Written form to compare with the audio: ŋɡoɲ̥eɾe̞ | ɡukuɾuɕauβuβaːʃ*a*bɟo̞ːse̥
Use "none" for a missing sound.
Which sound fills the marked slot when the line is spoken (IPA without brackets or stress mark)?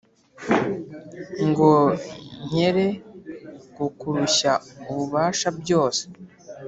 a